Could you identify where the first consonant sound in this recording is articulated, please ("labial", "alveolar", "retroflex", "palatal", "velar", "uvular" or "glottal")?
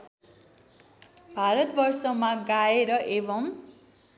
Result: labial